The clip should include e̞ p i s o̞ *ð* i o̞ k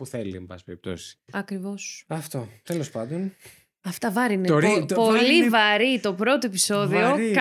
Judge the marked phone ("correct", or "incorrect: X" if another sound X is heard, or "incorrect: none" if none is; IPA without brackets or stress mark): correct